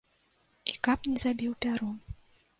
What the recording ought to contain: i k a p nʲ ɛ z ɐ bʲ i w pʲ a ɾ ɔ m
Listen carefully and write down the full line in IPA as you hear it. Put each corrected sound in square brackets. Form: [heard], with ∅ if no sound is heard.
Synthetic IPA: i k a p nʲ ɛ z [a] bʲ i w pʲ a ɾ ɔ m